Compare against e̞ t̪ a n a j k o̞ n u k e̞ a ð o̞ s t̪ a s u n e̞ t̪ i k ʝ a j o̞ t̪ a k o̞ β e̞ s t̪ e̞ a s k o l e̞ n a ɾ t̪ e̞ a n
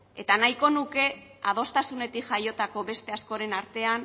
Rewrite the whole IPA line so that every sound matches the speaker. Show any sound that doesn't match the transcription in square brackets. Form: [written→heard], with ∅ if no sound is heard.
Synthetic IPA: e̞ t̪ a n a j k o̞ n u k e̞ a ð o̞ s t̪ a s u n e̞ t̪ i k ʝ a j o̞ t̪ a k o̞ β e̞ s t̪ e̞ a s k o [l→ɾ] e̞ n a ɾ t̪ e̞ a n

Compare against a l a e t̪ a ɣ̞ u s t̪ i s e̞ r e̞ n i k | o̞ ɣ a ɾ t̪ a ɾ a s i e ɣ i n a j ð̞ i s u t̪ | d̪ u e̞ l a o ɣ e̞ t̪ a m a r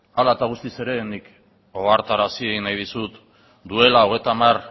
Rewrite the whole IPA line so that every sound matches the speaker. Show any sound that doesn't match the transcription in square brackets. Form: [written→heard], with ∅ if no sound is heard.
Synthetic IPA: a l a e t̪ a ɣ̞ u s t̪ i s e̞ [r→ɾ] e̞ n i k | o̞ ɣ a ɾ t̪ a ɾ a s i e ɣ i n a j ð̞ i s u t̪ | d̪ u e̞ l a o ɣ e̞ t̪ a m a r

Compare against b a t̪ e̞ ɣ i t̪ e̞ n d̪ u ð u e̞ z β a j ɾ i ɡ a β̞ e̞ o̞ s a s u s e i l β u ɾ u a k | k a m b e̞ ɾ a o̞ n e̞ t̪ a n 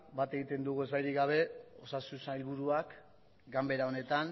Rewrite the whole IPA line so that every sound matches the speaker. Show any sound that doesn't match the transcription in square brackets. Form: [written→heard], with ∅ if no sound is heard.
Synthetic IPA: b a t̪ e̞ ɣ i t̪ e̞ n d̪ u [ð→ɣ] u e̞ z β a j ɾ i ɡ a β̞ e̞ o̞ s a s u s [e→a] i l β u ɾ u a k | [k→ɡ] a m b e̞ ɾ a o̞ n e̞ t̪ a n

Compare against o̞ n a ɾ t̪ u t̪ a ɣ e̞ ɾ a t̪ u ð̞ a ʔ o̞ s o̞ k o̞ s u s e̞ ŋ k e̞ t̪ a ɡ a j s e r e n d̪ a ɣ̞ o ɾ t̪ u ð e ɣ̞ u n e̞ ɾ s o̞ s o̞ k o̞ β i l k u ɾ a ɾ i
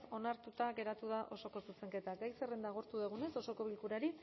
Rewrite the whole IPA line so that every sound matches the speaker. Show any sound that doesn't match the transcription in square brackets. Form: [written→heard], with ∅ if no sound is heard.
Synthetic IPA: o̞ n a ɾ t̪ u t̪ a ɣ e̞ ɾ a t̪ u ð̞ a ʔ o̞ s o̞ k o̞ s u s e̞ ŋ k e̞ t̪ a ɡ a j s e r e n d̪ a ɣ̞ o ɾ t̪ u ð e ɣ̞ u n e̞ [ɾ→∅] s o̞ s o̞ k o̞ β i l k u ɾ a ɾ i

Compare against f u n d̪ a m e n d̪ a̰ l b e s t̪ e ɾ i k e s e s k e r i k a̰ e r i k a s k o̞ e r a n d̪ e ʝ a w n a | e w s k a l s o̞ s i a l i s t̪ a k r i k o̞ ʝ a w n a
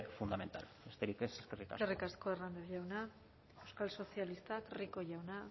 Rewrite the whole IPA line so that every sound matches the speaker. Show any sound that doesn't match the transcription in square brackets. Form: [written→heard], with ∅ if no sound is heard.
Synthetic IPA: f u n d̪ a m e n [d̪→t̪] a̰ l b e s t̪ e ɾ i k e s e s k e r i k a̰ e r i k a s k o̞ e r a n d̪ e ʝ a w n a | e w s k a l s o̞ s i a l i s t̪ a k r i k o̞ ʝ a w n a

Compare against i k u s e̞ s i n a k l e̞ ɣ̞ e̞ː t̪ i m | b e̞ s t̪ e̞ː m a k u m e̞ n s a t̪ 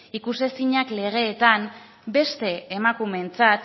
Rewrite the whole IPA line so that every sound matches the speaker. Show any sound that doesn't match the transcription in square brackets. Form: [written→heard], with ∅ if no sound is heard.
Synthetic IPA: i k u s e̞ s i [n→ɲ] a k l e̞ ɣ̞ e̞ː t̪ [i→a] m | b e̞ s t̪ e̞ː m a k u m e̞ n [s→t͡s] a t̪

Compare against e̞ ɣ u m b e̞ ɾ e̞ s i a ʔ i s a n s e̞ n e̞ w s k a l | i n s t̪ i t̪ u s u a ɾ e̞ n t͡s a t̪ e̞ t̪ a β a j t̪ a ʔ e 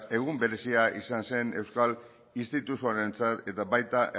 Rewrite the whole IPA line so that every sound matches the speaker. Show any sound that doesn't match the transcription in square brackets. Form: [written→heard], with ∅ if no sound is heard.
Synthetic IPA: e̞ ɣ u m b e̞ ɾ e̞ s i a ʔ i s a n s e̞ n e̞ w s k a l | i n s t̪ i t̪ u s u a ɾ e̞ n t͡s a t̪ e̞ t̪ a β a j t̪ a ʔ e

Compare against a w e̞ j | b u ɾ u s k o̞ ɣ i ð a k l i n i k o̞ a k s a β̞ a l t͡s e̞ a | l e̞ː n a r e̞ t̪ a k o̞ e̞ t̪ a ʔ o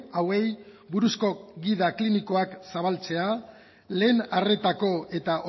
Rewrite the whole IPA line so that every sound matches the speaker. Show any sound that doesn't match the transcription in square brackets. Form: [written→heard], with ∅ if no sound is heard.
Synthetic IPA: a w e̞ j | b u ɾ u s k o̞ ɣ i ð a k l i n i k o̞ a k s a β̞ a l t͡s e̞ a | l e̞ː n a r e̞ t̪ a k o̞ e̞ t̪ a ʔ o

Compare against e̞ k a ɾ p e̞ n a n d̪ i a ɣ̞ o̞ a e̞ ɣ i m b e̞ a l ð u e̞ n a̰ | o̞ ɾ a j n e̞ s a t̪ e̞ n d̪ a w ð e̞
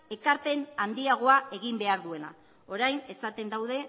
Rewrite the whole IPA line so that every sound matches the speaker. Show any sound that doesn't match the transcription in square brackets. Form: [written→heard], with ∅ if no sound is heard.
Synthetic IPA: e̞ k a ɾ p e̞ n a n d̪ i a ɣ̞ o̞ a e̞ ɣ i m b e̞ a [l→ɾ] ð u e̞ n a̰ | o̞ ɾ a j n e̞ s a t̪ e̞ n d̪ a w ð e̞

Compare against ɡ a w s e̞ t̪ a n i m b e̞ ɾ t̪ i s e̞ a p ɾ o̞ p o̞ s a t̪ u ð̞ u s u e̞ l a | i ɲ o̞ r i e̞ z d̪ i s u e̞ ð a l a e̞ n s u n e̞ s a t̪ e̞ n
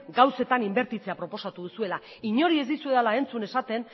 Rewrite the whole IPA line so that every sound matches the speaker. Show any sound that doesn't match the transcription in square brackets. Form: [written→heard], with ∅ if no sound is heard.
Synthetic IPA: ɡ a w s e̞ t̪ a n i m b e̞ ɾ t̪ i [s→t͡s] e̞ a p ɾ o̞ p o̞ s a t̪ u ð̞ u s u e̞ l a | i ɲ o̞ [r→ɾ] i e̞ z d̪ i s u e̞ ð a l a e̞ n [s→t͡s] u n e̞ s a t̪ e̞ n

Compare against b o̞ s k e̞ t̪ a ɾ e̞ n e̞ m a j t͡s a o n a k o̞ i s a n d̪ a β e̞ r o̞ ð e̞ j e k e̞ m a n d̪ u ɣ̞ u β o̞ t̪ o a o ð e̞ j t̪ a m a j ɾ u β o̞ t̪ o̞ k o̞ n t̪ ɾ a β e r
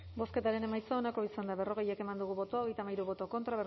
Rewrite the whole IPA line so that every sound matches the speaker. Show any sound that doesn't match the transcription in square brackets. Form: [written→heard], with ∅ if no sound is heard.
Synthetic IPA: b o̞ s k e̞ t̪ a ɾ e̞ n e̞ m a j t͡s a o n a k o̞ i s a n d̪ a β e̞ r o̞ [ð→ɣ] e̞ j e k e̞ m a n d̪ u ɣ̞ u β o̞ t̪ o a o [ð→ɣ] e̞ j t̪ a m a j ɾ u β o̞ t̪ o̞ k o̞ n t̪ ɾ a β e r

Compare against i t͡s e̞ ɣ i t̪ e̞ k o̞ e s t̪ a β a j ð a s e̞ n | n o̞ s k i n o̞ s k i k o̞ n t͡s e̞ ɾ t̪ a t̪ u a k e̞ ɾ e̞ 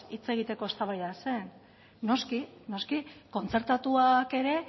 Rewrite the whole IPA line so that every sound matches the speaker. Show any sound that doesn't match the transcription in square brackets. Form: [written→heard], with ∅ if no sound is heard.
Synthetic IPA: i t͡s e̞ ɣ i t̪ e̞ k o̞ e s t̪ a β a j ð a s e̞ n | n o̞ s k i n o̞ s k i k o̞ n t͡s e̞ ɾ t̪ a t̪ u a k e̞ ɾ e̞

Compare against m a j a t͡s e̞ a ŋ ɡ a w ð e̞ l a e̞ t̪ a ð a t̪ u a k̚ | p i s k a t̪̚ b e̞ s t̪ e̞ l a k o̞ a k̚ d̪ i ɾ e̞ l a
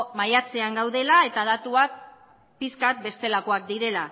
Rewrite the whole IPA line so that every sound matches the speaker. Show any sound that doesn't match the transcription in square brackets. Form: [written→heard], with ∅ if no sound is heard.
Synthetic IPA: m a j a t͡s e̞ a ŋ ɡ a w ð e̞ l a e̞ t̪ a ð a t̪ u a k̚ | p i s k a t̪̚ b e̞ s t̪ e̞ l a k o̞ a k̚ d̪ i ɾ e̞ l a

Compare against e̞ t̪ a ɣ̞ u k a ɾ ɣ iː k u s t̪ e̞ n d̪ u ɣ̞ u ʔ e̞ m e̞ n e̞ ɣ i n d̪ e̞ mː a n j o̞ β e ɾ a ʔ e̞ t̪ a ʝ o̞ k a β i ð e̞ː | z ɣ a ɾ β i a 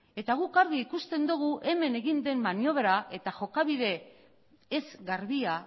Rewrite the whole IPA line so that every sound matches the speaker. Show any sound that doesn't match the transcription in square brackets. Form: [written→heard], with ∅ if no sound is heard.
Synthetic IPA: e̞ t̪ a ɣ̞ u k a ɾ ɣ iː k u s t̪ e̞ n d̪ u ɣ̞ u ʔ e̞ m e̞ n e̞ ɣ i n d̪ e̞ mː a n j o̞ β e ɾ a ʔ e̞ t̪ a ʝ o̞ k a β i ð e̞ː | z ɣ a ɾ β i a

